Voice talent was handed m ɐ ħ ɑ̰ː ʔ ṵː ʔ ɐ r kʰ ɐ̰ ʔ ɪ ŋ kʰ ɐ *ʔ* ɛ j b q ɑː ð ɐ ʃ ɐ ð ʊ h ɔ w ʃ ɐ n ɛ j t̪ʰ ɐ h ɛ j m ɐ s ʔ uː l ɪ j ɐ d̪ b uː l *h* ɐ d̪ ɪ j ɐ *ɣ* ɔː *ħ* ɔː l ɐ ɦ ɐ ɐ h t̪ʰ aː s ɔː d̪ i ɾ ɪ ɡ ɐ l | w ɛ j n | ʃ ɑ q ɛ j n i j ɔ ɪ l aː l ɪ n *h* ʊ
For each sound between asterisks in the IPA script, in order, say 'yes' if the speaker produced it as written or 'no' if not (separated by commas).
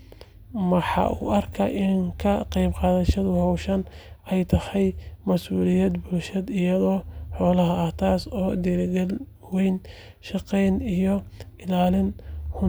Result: no, no, no, yes, yes